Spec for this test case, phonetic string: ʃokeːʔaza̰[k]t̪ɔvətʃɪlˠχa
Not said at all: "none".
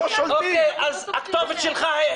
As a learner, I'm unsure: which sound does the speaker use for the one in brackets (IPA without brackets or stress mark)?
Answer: k